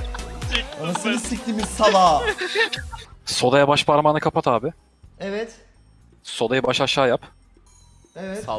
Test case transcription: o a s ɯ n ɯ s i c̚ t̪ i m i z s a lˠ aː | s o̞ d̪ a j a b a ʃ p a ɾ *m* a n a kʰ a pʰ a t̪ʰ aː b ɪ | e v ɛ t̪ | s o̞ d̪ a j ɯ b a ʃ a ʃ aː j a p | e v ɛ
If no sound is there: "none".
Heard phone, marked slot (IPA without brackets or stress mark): m